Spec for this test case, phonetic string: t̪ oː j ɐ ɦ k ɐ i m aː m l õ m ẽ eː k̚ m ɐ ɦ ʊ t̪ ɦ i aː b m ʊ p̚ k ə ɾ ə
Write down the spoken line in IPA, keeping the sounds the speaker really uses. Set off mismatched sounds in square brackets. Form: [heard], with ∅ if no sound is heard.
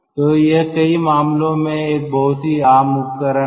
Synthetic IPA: t̪ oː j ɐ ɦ k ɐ i m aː m l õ m ẽ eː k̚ [b] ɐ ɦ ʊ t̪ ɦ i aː [∅] m ʊ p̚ k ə ɾ ə